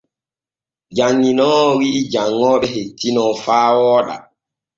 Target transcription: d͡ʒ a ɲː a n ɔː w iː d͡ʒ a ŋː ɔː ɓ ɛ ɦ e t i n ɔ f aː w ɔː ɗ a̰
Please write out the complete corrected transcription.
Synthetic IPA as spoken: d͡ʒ a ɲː i n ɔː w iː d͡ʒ a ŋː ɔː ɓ ɛ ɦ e t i n ɔ f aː w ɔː ɗ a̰